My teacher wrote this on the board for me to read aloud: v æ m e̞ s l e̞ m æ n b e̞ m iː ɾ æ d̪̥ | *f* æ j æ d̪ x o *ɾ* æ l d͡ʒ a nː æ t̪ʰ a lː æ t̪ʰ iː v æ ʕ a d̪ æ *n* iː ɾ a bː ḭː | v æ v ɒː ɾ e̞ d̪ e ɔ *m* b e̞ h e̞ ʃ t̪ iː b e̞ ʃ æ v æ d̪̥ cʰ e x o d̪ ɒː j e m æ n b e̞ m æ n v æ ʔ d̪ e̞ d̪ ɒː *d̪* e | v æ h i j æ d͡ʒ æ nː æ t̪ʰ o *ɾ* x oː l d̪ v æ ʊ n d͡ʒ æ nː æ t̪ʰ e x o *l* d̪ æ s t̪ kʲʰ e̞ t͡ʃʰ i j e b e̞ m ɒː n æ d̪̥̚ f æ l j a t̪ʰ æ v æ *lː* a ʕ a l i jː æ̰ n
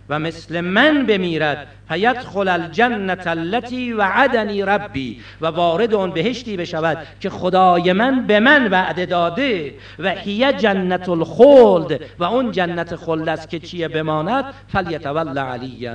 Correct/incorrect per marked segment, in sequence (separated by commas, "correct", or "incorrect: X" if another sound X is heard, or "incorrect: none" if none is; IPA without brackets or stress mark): correct, incorrect: l, correct, incorrect: n, correct, incorrect: l, correct, correct